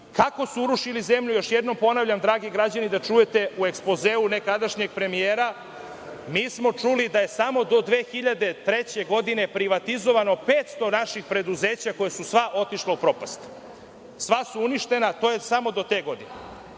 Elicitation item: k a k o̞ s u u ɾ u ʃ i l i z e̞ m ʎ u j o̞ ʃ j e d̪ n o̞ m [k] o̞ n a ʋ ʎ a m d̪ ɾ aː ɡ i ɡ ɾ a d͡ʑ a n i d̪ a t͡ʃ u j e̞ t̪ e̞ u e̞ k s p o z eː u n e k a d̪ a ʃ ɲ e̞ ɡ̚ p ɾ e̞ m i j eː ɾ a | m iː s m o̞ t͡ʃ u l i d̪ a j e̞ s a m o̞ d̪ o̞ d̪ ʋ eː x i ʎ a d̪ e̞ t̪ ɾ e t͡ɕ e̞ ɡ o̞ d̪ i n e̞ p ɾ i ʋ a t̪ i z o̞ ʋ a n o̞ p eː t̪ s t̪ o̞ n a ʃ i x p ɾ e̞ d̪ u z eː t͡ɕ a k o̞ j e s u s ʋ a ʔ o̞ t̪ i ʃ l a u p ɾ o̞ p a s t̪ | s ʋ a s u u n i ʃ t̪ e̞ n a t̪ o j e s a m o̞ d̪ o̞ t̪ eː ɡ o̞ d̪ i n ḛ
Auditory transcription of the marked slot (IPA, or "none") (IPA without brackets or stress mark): p